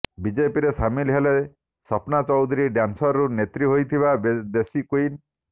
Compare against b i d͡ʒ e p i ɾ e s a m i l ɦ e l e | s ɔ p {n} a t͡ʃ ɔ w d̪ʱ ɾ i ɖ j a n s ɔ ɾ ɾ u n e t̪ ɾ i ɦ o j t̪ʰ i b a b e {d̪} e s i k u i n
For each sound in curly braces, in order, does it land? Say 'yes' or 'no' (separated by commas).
yes, yes